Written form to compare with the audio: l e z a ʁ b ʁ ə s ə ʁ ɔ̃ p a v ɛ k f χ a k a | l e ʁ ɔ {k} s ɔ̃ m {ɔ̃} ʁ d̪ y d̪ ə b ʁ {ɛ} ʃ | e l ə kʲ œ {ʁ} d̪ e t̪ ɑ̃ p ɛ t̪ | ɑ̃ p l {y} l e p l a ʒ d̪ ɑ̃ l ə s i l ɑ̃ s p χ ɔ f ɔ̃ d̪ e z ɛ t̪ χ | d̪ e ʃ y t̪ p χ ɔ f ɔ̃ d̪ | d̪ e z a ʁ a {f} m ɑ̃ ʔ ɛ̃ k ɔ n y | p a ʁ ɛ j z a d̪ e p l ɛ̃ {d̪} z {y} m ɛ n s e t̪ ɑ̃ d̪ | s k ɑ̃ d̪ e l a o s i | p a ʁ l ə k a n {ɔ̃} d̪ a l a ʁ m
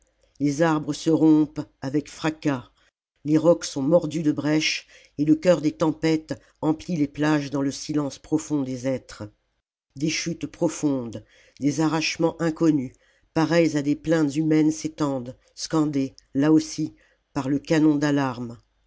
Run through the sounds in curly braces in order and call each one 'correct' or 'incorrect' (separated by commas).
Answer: correct, incorrect, correct, correct, incorrect, incorrect, incorrect, correct, correct